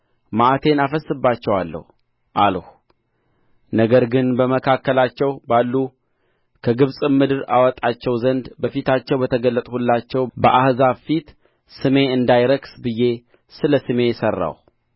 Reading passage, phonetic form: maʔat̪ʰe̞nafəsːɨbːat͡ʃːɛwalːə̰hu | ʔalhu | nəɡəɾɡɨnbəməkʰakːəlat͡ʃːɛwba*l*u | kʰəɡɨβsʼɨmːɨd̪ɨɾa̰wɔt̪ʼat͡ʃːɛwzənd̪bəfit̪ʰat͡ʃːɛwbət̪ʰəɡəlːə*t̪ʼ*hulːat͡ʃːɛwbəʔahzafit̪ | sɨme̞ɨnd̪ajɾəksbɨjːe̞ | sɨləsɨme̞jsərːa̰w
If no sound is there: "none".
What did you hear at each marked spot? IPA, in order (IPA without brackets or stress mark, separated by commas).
lː, t̪ʼ